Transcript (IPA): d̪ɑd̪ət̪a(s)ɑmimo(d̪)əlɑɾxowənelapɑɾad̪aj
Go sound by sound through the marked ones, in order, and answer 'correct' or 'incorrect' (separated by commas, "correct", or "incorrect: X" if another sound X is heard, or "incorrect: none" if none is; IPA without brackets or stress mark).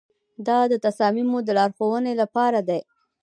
correct, correct